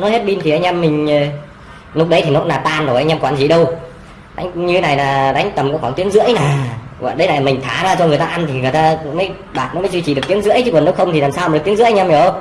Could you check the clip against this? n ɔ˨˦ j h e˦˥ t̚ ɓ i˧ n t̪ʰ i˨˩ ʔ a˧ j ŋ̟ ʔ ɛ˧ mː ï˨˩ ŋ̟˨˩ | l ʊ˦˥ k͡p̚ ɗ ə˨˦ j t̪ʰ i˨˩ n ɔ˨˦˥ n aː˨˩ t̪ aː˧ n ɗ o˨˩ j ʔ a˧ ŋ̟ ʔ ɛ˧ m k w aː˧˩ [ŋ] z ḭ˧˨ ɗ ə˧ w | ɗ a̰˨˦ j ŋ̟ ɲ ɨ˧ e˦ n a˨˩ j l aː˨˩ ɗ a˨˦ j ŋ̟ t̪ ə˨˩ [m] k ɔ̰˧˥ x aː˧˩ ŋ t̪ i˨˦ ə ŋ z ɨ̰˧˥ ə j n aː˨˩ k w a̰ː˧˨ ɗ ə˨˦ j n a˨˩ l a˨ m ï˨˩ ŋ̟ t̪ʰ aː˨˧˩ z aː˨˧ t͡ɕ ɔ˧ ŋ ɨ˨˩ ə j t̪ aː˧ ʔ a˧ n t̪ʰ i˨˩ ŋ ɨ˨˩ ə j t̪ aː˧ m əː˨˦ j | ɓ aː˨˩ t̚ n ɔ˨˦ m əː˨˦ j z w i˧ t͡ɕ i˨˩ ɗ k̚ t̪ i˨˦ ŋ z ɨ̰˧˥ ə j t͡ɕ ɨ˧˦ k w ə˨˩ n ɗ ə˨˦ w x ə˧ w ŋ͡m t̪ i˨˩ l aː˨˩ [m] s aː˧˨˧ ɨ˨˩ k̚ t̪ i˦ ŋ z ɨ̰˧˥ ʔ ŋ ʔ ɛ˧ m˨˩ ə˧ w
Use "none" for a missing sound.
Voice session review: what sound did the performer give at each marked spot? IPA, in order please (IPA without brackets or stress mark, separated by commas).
n, m, m